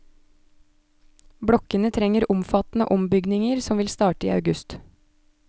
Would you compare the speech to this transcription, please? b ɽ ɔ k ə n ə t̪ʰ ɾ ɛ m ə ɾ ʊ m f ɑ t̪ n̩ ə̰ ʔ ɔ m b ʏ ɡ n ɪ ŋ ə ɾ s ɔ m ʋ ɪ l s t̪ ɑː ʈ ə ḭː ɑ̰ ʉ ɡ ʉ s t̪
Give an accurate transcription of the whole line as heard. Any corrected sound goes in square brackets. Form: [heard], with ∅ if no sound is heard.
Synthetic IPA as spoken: b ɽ ɔ k ə n ə t̪ʰ ɾ ɛ [ŋ] ə ɾ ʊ m f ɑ t̪ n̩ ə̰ ʔ ɔ m b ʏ ɡ n ɪ ŋ ə ɾ s ɔ m ʋ ɪ l s t̪ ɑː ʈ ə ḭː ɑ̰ ʉ ɡ ʉ s t̪